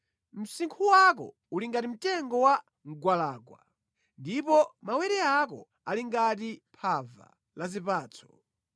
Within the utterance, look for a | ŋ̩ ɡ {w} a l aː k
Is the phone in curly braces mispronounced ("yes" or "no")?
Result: no